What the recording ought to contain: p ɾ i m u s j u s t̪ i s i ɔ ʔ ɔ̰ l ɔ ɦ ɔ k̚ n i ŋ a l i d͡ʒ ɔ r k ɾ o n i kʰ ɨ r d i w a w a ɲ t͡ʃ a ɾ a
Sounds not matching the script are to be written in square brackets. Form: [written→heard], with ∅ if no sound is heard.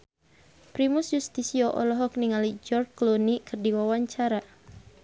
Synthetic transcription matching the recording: p ɾ i m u s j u s t̪ i s i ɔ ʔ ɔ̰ l ɔ ɦ ɔ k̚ n i ŋ a l i d͡ʒ ɔ r k [ɾ→l] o n i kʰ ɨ r d i w a w a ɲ t͡ʃ a ɾ a

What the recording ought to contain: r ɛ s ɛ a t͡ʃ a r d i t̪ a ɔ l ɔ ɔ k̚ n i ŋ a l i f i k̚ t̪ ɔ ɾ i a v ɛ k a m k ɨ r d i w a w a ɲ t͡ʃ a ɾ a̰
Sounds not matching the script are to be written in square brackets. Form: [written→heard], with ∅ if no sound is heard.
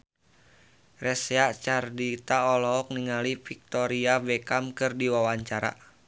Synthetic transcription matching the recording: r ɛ s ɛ a t͡ʃ a r d i t̪ a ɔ l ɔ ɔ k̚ n i ŋ a l i f i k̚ t̪ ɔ ɾ i a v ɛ k a m k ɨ r d i w a w a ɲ t͡ʃ a ɾ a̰

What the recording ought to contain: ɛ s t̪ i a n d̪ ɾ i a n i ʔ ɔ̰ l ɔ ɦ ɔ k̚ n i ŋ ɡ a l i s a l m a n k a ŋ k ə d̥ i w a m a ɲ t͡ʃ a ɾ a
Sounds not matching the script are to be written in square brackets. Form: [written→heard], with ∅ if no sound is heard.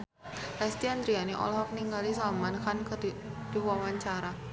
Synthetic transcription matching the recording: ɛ s t̪ i a n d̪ ɾ i a n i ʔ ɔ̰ l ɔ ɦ ɔ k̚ n i ŋ ɡ a l i s a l m a n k a [ŋ→n] k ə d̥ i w a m a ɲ t͡ʃ a ɾ a

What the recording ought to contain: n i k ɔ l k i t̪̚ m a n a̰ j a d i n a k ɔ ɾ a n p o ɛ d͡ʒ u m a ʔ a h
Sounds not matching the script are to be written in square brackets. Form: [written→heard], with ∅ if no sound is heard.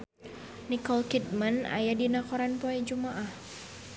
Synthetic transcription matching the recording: n i k ɔ l k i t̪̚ m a n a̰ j a d i n a k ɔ ɾ a n p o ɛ d͡ʒ u m a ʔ a h

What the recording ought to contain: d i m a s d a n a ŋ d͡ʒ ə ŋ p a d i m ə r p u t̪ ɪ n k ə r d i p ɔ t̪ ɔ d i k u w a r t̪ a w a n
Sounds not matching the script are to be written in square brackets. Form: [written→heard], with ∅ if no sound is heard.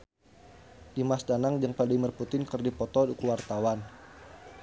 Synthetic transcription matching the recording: d i m a s d a n a ŋ d͡ʒ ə ŋ p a d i m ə r p u t̪ ɪ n k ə r d i p ɔ t̪ ɔ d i k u w a r t̪ a w a n

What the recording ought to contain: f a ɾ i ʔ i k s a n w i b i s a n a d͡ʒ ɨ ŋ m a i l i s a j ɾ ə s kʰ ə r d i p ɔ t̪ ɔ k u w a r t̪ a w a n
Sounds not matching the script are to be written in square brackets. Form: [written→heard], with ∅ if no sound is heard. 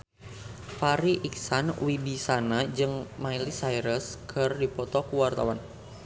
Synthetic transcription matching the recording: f a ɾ i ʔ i k s a n w i b i s a n a d͡ʒ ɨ ŋ m a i l i s a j ɾ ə s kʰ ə r d i p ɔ t̪ ɔ k u w a r t̪ a w a n

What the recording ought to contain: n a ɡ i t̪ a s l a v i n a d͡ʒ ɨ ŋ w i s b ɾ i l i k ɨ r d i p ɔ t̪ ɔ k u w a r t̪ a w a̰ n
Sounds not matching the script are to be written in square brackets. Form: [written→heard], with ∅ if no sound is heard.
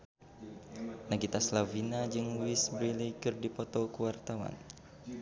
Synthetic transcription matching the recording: n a ɡ i t̪ a s l a v i n a d͡ʒ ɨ ŋ w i s b ɾ i l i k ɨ r d i p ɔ t̪ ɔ k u w a r t̪ a w a̰ n

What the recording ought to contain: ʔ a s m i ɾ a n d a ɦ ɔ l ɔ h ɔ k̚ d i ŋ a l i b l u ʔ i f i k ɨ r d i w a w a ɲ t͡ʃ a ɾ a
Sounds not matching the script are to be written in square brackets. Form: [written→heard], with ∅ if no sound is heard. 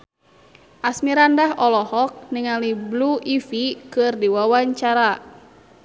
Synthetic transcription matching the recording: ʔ a s m i ɾ a n d a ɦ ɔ l ɔ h ɔ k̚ [d→n] i ŋ a l i b l u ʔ i f i k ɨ r d i w a w a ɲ t͡ʃ a ɾ a

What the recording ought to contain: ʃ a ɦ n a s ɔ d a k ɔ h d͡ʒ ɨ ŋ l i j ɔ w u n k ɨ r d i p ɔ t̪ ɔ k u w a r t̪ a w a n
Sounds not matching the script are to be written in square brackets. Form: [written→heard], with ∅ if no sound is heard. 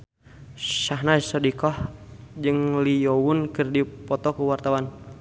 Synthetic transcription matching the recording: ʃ a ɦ n a s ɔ d [a→i] k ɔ h d͡ʒ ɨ ŋ l i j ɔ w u n k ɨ r d i p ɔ t̪ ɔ k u w a r t̪ a w a n

